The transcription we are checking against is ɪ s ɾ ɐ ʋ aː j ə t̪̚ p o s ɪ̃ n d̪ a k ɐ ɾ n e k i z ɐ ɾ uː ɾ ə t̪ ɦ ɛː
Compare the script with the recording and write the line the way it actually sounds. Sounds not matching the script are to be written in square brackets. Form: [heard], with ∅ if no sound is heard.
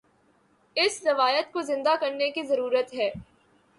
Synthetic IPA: ɪ s ɾ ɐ ʋ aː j ə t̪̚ [k] o [z] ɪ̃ n d̪ a k ɐ ɾ n e k i z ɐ ɾ uː ɾ ə t̪ ɦ ɛː